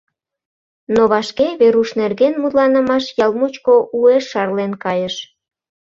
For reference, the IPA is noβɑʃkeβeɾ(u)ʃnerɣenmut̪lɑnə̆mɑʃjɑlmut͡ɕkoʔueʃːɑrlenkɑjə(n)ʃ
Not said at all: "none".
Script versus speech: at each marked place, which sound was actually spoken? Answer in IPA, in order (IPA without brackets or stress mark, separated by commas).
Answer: u, none